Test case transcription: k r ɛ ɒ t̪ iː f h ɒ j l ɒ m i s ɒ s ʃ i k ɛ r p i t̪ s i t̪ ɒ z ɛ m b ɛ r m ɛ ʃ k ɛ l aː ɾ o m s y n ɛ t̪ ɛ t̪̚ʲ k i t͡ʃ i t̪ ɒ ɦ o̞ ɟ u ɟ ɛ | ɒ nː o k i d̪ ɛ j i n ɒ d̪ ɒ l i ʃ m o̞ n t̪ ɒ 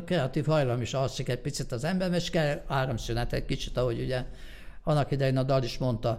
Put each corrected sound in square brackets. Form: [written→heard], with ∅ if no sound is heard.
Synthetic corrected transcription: k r ɛ ɒ t̪ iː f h ɒ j l ɒ m i [s→ʃ] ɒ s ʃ i k ɛ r p i t̪ s i t̪ ɒ z ɛ m b ɛ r m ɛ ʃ k ɛ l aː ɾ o m s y n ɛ t̪ ɛ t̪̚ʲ k i t͡ʃ i t̪ ɒ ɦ o̞ ɟ u ɟ ɛ | ɒ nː [o→ɒ] k i d̪ ɛ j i n ɒ d̪ ɒ l i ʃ m o̞ n t̪ ɒ